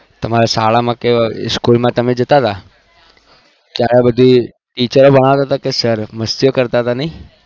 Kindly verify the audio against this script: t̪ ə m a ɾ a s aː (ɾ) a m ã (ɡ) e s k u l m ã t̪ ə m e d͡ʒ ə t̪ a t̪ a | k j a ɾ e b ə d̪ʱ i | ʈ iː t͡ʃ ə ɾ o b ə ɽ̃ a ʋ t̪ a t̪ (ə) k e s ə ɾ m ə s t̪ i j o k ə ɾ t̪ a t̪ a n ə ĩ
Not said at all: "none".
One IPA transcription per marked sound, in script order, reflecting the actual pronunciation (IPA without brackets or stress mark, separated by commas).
ɭ, k, a